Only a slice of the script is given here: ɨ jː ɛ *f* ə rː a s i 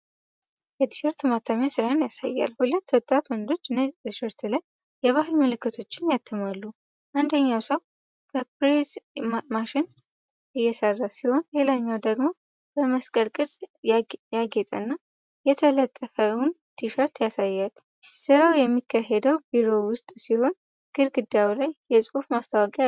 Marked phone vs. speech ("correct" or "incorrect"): incorrect